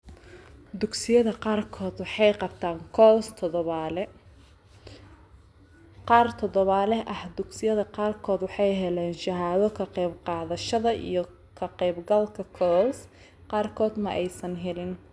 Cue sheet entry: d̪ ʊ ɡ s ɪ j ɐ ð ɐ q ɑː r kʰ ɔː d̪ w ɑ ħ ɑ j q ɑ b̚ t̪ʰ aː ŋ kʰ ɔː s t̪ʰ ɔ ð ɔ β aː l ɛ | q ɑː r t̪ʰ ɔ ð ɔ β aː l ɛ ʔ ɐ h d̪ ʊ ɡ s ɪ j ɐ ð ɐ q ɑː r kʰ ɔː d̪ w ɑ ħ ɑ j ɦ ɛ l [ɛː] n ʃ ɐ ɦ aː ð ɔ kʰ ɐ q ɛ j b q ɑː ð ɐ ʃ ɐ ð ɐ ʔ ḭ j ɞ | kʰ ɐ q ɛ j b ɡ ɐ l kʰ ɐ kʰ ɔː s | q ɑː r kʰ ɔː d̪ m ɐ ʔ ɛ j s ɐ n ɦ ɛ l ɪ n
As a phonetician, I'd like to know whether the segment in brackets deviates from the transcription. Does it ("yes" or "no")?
no